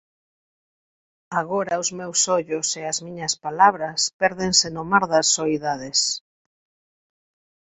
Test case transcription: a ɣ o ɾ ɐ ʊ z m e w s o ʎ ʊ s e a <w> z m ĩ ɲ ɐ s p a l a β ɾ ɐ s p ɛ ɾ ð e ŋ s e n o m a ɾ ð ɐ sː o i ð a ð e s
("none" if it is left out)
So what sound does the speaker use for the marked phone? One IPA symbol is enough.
none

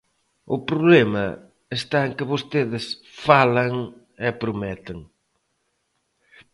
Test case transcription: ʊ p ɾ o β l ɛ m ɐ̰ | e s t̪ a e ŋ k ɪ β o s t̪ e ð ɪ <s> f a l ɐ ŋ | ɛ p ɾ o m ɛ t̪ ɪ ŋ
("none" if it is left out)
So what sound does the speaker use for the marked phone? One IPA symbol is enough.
s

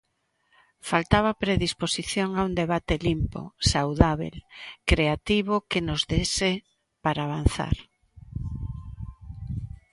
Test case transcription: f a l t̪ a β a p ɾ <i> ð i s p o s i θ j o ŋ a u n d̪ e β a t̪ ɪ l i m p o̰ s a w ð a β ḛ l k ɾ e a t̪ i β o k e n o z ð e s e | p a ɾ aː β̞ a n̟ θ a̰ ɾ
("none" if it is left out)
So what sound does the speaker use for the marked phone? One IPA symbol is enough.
e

